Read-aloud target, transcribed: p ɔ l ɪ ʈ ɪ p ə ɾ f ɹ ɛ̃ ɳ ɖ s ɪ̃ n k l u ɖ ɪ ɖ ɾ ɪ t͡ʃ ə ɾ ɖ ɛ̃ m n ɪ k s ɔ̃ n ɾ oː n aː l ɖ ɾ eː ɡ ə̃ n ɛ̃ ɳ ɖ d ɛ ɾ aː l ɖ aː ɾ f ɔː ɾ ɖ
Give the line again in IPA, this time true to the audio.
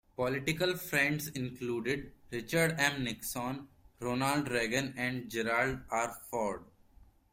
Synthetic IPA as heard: p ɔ l ɪ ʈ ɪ k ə l f ɾ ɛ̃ ɳ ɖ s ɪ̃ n k l uː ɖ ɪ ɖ ɾ ɪ t͡ʃ ə ɾ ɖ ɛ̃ m n ɪ k s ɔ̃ n ɾ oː n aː l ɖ ɾ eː ɡ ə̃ n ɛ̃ ɳ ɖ d͡ʒ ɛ ɾ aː l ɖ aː ɾ f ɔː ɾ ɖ

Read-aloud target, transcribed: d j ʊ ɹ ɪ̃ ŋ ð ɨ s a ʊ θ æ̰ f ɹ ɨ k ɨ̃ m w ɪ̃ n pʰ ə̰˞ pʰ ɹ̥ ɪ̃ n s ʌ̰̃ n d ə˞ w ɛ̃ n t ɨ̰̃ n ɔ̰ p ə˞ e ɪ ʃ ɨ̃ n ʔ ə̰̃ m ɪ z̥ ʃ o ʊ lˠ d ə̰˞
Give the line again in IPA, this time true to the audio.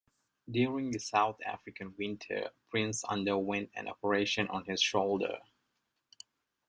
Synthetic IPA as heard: d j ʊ ɹ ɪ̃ ŋ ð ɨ s a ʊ θ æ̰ f ɹ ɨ k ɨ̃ n w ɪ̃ n tʰ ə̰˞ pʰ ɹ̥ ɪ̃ n s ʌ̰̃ n d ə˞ w ɛ̃ n t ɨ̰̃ n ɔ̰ p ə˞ e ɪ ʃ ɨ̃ n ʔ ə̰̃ n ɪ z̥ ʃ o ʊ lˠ d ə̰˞

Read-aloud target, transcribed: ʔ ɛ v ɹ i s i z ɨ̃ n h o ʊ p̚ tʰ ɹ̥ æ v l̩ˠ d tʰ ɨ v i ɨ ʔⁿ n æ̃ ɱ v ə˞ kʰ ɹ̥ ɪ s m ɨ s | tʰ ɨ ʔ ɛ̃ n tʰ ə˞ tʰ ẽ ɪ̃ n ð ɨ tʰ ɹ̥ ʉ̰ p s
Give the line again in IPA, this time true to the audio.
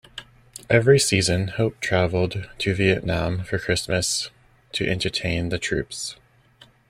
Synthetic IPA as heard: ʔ ɛ v ɹ i s i z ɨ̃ n h o ʊ p̚ tʰ ɹ̥ æ v l̩ˠ d tʰ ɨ v i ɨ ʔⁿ n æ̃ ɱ f ə˞ kʰ ɹ̥ ɪ s m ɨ s | tʰ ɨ ʔ ɛ̃ n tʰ ə˞ tʰ ẽ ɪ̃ n ð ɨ tʰ ɹ̥ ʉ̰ p s

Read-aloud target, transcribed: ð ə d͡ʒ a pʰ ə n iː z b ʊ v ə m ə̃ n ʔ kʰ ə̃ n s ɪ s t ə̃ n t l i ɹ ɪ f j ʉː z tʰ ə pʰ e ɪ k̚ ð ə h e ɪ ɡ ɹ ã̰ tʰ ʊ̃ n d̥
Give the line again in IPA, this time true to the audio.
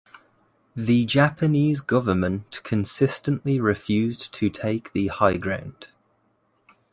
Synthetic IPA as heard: ð ə d͡ʒ a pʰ ə n iː z ɡ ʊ v ə m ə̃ n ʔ kʰ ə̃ n s ɪ s t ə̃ n ʔ l i ɹ ɪ f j ʉː z tʰ ə tʰ e ɪ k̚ ð ə h a ɪ ɡ ɹ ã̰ ʊ̃ n d̥

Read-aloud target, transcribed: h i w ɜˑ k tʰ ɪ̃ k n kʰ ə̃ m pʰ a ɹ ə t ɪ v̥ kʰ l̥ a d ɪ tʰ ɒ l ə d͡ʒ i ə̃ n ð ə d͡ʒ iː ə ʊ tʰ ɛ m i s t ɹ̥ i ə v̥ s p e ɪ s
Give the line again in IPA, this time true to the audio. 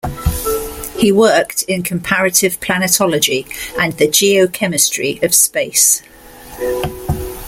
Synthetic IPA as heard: h i w ɜˑ k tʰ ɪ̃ n kʰ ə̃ m pʰ a ɹ ə t ɪ v̥ pʰ l̥ a n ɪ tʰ ɒ l ə d͡ʒ i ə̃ n ð ə d͡ʒ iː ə ʊ kʰ ɛ m ɪ s t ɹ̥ i ə v̥ s p e ɪ s

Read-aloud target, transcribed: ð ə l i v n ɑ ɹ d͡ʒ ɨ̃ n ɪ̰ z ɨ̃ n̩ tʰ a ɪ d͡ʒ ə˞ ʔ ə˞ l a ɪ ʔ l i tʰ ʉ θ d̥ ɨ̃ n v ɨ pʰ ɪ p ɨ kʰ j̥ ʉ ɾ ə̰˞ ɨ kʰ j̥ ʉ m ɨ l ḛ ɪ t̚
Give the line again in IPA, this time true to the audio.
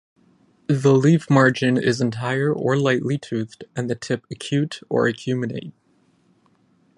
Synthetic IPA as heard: ð ə l i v m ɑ ɹ d͡ʒ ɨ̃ n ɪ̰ z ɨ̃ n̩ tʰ a ɪ ə˞ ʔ ə˞ l a ɪ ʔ l i tʰ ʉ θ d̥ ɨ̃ n ð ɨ tʰ ɪ p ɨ kʰ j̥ ʉ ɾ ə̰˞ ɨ kʰ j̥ ʉ m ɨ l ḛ ɪ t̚

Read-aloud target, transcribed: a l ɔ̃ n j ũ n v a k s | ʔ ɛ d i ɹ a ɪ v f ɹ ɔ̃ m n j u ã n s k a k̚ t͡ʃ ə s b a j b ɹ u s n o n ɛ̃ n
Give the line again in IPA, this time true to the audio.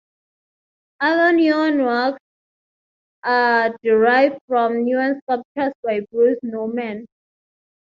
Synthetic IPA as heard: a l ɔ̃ n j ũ n w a k s | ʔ a d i ɹ a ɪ v f ɹ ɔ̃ m n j u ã n s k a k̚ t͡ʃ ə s b a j b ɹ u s n o m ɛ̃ n

